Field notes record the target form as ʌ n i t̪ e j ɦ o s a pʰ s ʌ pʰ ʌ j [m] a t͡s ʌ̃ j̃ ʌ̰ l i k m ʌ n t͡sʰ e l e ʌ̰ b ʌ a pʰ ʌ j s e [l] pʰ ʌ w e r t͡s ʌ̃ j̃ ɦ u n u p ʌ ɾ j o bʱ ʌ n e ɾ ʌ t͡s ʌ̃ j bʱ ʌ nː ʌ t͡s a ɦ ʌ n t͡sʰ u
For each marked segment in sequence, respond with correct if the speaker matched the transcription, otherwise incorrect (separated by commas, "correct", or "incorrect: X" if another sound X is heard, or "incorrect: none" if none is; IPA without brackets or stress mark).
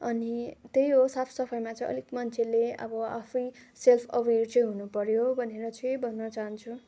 correct, correct